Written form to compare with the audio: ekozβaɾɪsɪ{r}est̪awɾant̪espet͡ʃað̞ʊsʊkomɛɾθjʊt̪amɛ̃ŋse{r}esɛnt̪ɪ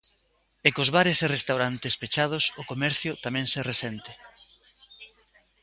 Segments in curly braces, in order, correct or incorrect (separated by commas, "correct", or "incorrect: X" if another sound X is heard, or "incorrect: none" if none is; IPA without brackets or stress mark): correct, correct